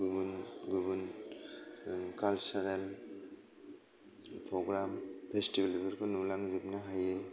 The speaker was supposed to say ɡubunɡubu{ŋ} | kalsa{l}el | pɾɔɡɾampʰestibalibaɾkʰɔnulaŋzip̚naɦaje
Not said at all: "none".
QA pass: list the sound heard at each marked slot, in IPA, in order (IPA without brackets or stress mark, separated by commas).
n, ɾ